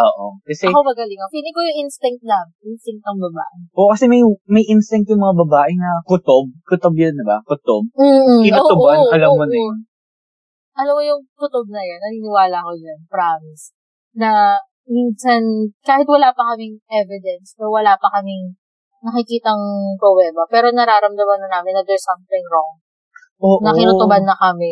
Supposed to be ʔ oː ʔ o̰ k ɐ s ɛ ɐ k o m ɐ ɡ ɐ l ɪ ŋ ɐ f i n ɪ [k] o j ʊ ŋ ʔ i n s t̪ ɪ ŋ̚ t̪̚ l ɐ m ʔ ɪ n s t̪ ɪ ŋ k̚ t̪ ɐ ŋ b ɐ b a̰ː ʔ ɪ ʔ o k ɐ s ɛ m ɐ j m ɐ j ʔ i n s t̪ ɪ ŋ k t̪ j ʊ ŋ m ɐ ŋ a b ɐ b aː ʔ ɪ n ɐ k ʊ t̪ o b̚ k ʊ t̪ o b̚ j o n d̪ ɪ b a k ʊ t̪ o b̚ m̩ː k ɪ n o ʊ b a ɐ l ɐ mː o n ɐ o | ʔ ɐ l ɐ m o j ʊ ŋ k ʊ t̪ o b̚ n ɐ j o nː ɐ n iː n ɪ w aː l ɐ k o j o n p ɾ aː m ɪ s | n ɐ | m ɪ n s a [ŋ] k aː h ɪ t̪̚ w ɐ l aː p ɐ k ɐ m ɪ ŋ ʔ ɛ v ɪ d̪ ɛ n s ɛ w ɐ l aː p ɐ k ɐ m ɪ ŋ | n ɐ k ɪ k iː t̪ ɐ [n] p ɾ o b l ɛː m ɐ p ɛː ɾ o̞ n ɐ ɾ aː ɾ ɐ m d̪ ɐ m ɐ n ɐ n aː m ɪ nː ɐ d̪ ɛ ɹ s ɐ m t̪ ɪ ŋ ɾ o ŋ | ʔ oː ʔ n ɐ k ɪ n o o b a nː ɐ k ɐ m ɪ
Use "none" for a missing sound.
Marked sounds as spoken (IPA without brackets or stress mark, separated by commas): k, n, ŋ